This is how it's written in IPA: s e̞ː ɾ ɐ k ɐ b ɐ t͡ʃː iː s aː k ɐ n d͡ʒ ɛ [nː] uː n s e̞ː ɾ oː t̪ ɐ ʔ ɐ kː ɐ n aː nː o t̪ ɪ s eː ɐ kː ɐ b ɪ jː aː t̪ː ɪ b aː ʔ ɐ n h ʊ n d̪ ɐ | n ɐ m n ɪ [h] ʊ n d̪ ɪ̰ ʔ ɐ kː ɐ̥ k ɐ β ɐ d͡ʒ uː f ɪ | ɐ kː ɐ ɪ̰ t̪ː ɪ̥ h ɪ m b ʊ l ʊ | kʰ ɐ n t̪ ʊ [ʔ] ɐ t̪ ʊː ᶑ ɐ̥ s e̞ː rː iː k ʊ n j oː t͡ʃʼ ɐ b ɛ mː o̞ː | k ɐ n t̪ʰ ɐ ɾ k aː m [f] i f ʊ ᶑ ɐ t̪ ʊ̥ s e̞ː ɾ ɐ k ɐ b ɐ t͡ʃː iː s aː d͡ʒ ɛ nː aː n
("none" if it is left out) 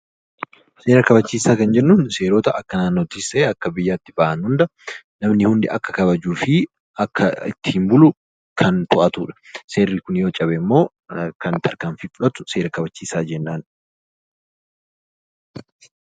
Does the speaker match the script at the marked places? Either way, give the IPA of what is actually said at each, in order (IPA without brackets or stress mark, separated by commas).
nː, h, ʔ, f